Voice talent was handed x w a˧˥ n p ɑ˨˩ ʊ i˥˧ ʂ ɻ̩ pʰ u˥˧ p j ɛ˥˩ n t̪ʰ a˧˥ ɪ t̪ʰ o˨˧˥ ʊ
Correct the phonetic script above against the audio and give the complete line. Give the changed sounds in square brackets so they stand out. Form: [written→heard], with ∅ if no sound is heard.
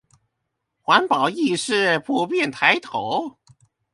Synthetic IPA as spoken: x w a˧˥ n p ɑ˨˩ ʊ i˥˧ ʂ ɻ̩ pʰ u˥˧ p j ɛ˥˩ n t̪ʰ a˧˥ ɪ t̪ʰ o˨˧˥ ʊ